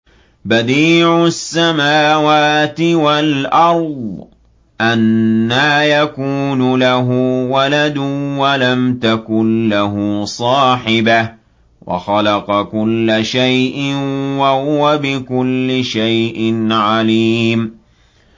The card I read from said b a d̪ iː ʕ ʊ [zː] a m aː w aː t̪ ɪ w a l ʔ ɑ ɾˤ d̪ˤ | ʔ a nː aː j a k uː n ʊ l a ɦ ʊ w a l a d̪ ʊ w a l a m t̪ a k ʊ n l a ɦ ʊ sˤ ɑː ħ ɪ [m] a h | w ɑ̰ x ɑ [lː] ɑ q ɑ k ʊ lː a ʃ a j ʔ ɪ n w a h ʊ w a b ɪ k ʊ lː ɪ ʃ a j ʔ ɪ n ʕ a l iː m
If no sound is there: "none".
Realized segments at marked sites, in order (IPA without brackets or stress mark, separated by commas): sː, b, l